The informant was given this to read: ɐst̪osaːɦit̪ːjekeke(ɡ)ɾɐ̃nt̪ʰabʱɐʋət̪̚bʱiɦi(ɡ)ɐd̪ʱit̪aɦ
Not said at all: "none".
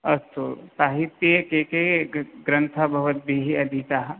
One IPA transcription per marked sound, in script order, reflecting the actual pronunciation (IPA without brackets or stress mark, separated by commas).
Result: ɡ, none